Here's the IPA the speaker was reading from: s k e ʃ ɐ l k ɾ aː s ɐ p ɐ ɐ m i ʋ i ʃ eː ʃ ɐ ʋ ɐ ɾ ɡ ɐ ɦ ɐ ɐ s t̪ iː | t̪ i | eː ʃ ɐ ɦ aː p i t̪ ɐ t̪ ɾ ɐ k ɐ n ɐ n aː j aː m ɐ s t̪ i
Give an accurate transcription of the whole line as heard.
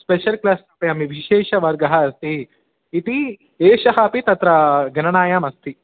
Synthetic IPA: s p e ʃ ɐ l k l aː s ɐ p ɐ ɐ m i ʋ i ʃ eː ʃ ɐ ʋ ɐ ɾ ɡ ɐ ɦ ɐ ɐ s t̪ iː | t̪ i | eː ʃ ɐ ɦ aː p i t̪ ɐ t̪ ɾ ɐ ɡ ɐ n ɐ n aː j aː m ɐ s t̪ i